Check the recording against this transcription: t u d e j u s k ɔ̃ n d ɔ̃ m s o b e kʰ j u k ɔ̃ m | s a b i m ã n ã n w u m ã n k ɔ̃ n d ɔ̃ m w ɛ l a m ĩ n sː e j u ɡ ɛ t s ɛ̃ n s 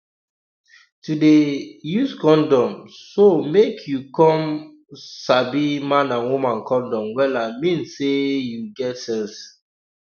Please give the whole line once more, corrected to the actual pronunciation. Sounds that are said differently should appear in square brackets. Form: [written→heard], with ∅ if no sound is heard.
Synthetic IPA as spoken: t u d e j u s k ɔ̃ n d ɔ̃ m s o [b→m] e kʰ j u k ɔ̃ m | s a b i m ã n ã n w u m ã n k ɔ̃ n d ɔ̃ m w ɛ l a m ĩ n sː e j u ɡ ɛ t s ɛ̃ n s